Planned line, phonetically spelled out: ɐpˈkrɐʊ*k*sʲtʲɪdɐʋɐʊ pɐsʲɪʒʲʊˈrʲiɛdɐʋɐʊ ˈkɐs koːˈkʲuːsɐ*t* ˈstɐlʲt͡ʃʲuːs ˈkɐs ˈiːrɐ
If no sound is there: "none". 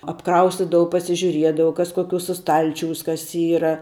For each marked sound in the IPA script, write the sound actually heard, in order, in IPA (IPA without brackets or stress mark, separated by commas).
none, none